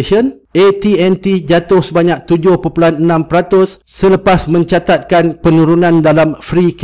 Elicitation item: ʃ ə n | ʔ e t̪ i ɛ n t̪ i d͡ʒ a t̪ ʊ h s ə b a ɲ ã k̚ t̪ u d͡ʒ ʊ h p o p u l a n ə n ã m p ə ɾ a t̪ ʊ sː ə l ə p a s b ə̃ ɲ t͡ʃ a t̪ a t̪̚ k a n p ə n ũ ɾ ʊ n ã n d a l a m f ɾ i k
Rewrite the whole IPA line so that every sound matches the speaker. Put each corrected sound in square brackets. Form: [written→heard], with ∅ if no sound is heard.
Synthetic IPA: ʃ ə n | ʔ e t̪ i ɛ n t̪ i d͡ʒ a t̪ ʊ h s ə b a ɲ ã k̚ t̪ u d͡ʒ ʊ h p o p u l a n ə n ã m p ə ɾ a t̪ ʊ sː ə l ə p a s [b→m] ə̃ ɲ t͡ʃ a t̪ a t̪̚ k a n p ə n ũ ɾ [ʊ→u] n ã n d a l a m f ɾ i k